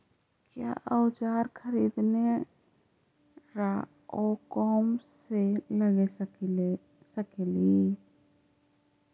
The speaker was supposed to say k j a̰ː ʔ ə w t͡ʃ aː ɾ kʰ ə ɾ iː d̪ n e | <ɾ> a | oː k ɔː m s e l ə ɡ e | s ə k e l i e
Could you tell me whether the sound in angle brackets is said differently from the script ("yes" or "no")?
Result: no